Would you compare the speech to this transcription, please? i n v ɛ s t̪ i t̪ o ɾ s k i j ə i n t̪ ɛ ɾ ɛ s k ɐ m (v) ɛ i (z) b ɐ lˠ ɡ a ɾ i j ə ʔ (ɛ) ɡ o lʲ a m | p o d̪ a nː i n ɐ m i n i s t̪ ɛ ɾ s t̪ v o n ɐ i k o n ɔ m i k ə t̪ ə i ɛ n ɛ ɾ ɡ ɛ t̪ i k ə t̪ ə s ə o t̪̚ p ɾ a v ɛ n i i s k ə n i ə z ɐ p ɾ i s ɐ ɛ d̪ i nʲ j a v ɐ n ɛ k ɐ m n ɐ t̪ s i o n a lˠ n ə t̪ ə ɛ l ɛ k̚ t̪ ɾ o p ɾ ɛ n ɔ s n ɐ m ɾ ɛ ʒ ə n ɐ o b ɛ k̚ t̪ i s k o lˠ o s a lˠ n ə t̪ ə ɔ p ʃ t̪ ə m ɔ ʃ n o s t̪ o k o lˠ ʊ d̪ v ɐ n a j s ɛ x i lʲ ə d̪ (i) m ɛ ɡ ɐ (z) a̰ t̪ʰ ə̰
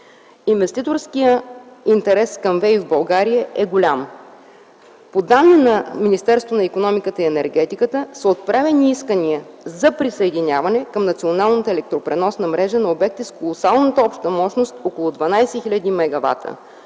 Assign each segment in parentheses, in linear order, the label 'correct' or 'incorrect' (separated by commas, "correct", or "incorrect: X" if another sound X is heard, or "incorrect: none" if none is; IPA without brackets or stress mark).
correct, incorrect: v, correct, correct, incorrect: v